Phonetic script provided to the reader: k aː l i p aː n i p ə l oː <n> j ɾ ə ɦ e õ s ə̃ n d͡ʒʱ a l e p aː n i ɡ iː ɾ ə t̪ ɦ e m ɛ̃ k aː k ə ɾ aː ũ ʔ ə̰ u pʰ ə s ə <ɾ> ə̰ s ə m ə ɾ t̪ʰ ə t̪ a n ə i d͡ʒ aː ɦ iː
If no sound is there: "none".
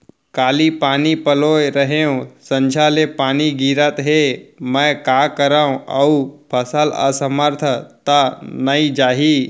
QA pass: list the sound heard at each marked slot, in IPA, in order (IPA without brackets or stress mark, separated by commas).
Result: none, l